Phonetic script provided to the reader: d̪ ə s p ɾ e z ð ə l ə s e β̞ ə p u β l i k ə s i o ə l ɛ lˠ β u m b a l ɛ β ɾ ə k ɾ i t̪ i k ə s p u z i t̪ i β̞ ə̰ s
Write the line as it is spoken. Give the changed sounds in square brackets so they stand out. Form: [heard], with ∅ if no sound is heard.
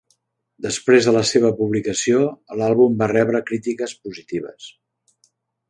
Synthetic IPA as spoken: d̪ ə s p ɾ e z ð ə l ə s e β̞ ə p u β l i k ə s i o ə l [a] lˠ β u m b a [r] ɛ β ɾ ə k ɾ i t̪ i k ə s p u z i t̪ i β̞ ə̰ s